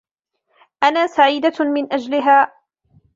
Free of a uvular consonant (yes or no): yes